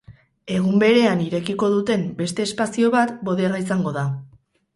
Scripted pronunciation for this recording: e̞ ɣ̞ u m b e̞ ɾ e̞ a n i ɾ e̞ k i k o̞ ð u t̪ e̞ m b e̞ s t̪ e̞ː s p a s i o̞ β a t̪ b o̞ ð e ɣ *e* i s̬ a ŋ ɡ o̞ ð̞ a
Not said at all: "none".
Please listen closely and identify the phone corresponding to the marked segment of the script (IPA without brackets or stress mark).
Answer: a